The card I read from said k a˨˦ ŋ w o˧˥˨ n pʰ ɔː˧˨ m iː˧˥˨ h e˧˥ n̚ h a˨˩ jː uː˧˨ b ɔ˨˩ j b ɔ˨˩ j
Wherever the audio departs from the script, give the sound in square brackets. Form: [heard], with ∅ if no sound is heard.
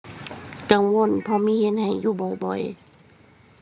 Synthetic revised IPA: k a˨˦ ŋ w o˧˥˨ n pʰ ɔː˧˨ m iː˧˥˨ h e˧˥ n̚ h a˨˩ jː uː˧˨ b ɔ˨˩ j b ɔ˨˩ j

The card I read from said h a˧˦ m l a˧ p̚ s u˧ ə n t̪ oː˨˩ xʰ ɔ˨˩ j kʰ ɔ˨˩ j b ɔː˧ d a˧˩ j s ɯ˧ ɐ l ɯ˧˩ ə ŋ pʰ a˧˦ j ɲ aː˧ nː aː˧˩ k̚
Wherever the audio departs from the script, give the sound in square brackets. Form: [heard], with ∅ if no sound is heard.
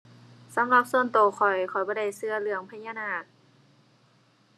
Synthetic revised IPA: [s] a˧˦ m l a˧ p̚ s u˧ ə n t̪ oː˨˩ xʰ ɔ˨˩ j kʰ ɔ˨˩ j b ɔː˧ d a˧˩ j s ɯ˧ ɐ l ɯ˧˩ ə ŋ pʰ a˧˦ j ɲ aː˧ [n] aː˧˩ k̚

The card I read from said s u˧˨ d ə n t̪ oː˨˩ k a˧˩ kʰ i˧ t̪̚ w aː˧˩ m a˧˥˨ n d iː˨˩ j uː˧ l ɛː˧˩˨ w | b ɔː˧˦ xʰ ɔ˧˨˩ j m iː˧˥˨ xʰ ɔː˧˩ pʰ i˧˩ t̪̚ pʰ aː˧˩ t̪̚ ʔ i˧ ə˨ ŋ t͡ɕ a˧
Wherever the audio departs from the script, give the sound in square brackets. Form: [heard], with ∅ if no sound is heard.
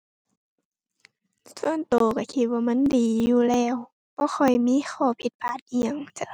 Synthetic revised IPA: s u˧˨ [∅] ə n t̪ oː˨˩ k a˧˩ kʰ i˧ t̪̚ w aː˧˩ m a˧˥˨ n d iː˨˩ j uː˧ l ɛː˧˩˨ w | b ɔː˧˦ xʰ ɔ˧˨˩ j m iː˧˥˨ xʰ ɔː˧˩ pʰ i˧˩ t̪̚ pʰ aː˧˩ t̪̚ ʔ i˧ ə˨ ŋ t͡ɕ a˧

